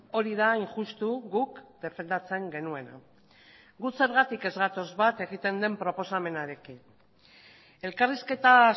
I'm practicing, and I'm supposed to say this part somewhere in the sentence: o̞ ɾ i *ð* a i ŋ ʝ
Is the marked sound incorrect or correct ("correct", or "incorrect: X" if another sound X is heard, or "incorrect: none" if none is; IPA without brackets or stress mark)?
correct